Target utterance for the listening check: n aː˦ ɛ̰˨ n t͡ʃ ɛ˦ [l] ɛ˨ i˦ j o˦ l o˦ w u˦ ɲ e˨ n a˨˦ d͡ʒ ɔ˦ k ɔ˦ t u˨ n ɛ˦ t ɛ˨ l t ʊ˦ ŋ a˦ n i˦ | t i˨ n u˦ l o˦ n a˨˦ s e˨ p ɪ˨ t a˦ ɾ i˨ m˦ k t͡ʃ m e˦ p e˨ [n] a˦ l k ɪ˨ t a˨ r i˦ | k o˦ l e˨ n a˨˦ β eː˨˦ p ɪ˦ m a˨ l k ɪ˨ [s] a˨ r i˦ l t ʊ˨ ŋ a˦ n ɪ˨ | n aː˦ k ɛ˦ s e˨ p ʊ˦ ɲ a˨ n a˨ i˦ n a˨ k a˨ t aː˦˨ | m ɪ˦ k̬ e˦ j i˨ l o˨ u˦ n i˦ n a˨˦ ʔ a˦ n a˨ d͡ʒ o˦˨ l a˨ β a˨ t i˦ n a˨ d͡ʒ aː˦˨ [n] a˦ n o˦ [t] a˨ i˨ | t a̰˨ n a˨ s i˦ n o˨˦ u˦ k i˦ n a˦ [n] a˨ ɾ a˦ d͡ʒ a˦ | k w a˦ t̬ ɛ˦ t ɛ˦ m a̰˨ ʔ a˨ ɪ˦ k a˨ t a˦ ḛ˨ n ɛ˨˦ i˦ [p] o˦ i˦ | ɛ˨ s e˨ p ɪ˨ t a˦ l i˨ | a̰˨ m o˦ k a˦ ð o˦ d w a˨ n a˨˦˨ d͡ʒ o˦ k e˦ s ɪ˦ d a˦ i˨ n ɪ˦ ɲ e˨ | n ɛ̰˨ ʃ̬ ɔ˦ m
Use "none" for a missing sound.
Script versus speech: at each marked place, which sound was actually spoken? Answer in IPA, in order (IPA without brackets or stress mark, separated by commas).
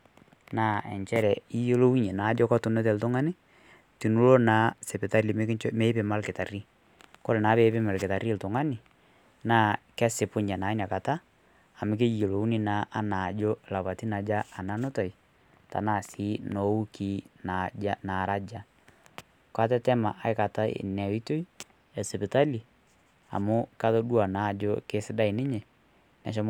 ɾ, m, t, n, t, n, t